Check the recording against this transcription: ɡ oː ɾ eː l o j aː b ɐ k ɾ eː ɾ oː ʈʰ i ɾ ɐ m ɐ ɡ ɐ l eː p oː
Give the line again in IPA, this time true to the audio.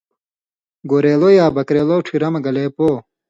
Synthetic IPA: ɡ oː ɾ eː l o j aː b ɐ k ɾ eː l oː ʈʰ i ɾ ɐ m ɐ ɡ ɐ l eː p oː